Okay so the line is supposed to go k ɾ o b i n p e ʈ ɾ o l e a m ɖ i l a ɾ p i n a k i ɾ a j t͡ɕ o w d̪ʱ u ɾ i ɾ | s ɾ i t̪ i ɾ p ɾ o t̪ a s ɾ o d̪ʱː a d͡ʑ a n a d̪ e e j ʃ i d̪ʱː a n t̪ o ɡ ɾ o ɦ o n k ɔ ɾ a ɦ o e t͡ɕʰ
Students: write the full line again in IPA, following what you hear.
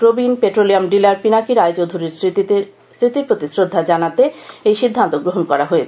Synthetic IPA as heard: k ɾ o b i n p e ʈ ɾ o l i a m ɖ i l a ɾ p i n a k i ɾ a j t͡ɕ o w d̪ʱ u ɾ i ɾ | s ɾ i t̪ i ɾ p ɾ o t̪ i s ɾ o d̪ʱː a d͡ʑ a n a t̪ e e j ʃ i d̪ʱː a n t̪ o ɡ ɾ o ɦ o n k ɔ ɾ a ɦ o e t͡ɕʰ